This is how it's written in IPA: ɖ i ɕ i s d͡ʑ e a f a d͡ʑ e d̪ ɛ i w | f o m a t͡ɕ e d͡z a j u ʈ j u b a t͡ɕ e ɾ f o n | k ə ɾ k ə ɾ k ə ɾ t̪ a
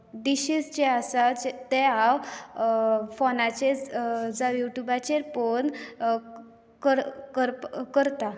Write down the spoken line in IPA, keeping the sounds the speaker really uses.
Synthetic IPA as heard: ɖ i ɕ i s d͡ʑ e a s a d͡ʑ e t̪ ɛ a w | f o n a t͡ɕ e d͡z a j u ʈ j u b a t͡ɕ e ɾ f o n | k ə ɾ k ə ɾ k ə ɾ t̪ a